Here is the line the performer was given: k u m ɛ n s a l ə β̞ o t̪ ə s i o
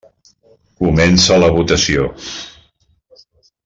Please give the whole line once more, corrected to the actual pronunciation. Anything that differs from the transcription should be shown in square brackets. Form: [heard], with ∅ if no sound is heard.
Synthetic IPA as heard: k u m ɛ n s [ə] l ə β̞ [u] t̪ ə s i o